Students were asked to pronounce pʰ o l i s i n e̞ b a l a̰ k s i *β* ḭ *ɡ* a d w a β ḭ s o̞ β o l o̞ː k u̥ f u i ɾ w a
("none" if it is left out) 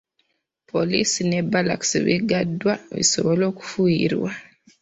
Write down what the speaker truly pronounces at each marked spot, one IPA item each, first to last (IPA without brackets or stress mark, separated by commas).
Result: β, ɡ